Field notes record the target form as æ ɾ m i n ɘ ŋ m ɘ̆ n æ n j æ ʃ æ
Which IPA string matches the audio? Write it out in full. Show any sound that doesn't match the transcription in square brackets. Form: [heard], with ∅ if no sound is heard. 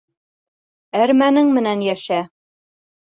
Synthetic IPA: æ ɾ m [æ] n ɘ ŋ m ɘ̆ n æ n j æ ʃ æ

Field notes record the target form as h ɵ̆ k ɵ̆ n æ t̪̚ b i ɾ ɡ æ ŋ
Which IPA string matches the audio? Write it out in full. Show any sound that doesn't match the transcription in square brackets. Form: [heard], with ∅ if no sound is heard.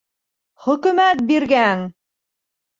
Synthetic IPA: [χ] ɵ̆ k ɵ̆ [m] æ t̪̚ b i ɾ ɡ æ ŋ

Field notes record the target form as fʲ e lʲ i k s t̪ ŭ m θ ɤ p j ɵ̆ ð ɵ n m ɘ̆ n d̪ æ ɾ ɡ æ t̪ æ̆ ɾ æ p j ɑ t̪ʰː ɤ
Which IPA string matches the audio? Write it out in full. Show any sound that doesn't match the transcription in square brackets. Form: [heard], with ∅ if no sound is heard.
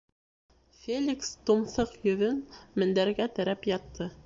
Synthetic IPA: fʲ e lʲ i k s t̪ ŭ m θ ɤ [q] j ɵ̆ ð ɵ n m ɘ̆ n d̪ æ ɾ ɡ æ t̪ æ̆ ɾ æ p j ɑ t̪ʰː ɤ

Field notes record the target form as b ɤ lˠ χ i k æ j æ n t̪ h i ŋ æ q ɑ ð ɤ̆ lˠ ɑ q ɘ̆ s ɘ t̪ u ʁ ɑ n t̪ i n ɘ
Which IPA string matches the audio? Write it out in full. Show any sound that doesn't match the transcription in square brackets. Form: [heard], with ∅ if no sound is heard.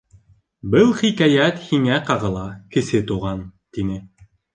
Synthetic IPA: b ɤ lˠ χ i k æ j æ [∅] t̪ h i ŋ æ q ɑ [ʁ] ɤ̆ lˠ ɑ [k] ɘ̆ s ɘ t̪ u ʁ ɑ n t̪ i n ɘ

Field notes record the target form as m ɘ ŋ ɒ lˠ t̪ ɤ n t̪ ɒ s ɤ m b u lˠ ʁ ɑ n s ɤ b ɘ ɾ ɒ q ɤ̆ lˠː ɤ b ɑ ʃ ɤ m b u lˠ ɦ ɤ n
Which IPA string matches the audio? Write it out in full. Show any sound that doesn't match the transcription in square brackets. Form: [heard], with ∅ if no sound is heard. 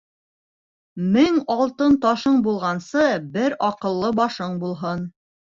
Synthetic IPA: m ɘ ŋ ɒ lˠ t̪ ɤ n t̪ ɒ [ʃ] ɤ [ɴ] b u lˠ ʁ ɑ n s ɤ b ɘ ɾ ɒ q ɤ̆ lˠː ɤ b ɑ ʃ ɤ [ɴ] b u lˠ ɦ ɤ n

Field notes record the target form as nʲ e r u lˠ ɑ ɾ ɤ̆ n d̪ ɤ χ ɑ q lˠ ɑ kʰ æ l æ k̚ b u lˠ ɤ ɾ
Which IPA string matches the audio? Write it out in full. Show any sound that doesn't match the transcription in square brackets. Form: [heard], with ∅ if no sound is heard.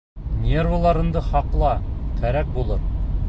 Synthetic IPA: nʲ e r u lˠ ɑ ɾ ɤ̆ n d̪ ɤ χ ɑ q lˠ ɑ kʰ æ [ɾ] æ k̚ b u lˠ ɤ ɾ

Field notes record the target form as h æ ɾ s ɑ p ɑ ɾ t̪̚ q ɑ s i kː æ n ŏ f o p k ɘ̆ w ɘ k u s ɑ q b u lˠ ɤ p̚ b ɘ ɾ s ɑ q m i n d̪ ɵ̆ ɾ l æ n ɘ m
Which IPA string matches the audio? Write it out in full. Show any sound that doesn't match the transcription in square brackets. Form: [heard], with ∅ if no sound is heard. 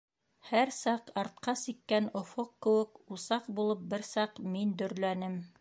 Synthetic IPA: h æ ɾ s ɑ [q] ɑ ɾ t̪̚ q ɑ s i kː æ n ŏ f o [q] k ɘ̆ w ɘ k u s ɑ q b u lˠ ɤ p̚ b ɘ ɾ s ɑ q m i n d̪ ɵ̆ ɾ l æ n ɘ m

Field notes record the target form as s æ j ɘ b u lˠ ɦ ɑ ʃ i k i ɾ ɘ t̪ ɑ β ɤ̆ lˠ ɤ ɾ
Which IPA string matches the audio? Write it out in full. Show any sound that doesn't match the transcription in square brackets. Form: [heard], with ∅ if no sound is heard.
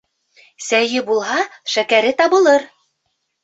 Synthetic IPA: s æ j ɘ b u lˠ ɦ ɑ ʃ [æ] k [æ] ɾ ɘ t̪ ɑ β ɤ̆ lˠ ɤ ɾ

